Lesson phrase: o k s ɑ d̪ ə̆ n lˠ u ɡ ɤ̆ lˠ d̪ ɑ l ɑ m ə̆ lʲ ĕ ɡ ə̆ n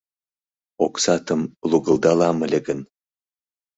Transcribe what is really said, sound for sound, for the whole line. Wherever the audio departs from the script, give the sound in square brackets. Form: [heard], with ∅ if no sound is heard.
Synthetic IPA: o k s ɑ [t̪] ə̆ [m] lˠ u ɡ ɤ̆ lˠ d̪ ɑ l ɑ m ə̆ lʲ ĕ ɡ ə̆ n